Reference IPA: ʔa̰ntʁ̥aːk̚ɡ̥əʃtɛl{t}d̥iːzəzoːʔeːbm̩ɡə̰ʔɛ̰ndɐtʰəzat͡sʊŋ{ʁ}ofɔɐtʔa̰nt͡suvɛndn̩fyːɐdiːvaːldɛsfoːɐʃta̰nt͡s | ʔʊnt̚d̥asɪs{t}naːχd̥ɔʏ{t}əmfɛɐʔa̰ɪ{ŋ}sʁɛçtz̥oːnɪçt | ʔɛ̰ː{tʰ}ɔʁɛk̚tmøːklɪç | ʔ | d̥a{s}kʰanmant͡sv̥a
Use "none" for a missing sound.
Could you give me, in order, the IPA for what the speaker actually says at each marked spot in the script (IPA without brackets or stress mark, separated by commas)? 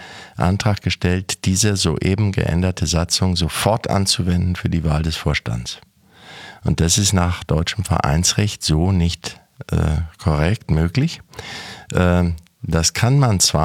t, z, t, t͡ʃ, n, kʰ, s